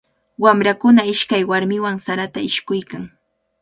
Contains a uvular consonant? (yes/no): no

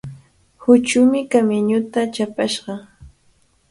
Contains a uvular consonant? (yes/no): yes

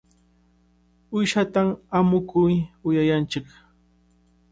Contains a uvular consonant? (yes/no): no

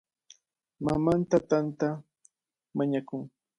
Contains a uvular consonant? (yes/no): no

